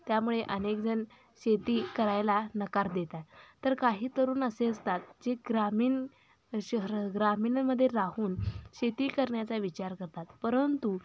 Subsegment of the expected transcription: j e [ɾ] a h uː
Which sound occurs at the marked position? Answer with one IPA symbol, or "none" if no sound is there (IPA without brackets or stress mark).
ɾ